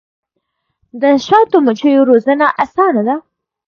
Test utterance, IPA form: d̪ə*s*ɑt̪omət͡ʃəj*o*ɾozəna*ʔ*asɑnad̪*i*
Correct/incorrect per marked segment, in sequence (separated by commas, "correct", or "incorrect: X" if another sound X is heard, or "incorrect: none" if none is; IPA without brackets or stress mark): incorrect: ʃ, correct, correct, incorrect: a